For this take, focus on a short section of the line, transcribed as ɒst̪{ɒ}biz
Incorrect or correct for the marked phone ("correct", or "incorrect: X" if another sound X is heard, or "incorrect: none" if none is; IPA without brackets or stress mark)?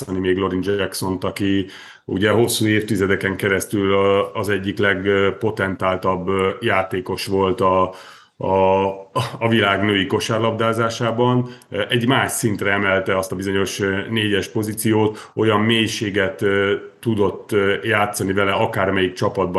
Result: correct